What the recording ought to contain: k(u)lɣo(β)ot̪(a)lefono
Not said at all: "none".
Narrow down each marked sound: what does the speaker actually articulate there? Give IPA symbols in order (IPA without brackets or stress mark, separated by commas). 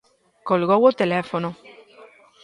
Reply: o, w, e